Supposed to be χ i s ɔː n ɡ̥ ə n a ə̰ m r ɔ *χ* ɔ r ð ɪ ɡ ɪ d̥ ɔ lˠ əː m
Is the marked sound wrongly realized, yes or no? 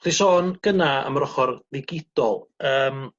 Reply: no